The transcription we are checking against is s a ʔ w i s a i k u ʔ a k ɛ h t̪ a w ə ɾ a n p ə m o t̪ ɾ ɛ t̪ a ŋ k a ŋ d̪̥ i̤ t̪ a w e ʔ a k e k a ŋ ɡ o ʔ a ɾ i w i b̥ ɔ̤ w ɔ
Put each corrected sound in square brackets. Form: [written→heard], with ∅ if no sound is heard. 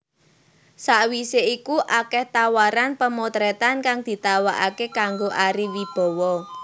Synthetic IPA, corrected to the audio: s a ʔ w i s [a→e] i k u ʔ a k ɛ h t̪ a w [ə→a] ɾ a n p ə m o t̪ ɾ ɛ t̪ a [ŋ→n] k a ŋ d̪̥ i̤ t̪ a w [e→a] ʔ a k e k a ŋ ɡ o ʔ a ɾ i w i b̥ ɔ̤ w ɔ